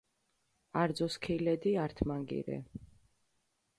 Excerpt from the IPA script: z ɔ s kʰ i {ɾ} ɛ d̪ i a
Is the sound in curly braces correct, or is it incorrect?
incorrect